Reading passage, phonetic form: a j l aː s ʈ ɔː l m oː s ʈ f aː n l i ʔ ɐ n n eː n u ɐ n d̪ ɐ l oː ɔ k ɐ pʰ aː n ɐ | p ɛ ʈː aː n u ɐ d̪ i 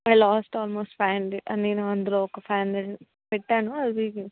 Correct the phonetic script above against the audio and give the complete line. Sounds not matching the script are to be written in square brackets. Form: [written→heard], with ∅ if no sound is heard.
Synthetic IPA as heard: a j l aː s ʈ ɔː l m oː s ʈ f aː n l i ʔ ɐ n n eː n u ɐ n d̪ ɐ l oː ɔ k ɐ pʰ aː n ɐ | p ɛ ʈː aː n u ɐ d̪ i